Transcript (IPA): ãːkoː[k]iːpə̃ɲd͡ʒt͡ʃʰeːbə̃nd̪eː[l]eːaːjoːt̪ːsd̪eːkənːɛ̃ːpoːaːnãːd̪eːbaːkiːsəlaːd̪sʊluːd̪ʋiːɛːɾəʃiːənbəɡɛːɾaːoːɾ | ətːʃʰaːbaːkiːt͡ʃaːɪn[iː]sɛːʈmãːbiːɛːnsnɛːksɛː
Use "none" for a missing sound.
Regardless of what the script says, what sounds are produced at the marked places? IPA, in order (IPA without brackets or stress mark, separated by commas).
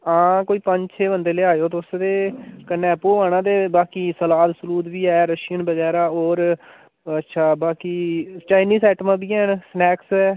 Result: none, l, iː